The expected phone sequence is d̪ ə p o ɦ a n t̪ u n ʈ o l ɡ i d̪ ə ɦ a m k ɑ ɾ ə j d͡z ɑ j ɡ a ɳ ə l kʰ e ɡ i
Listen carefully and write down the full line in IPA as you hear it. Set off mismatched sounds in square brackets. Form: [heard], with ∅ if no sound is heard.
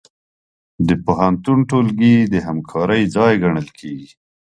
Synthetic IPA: d̪ ə p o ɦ a n t̪ u n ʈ o l ɡ i d̪ ə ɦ a m [kʰ] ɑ ɾ ə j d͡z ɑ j ɡ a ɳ ə l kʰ e ɡ i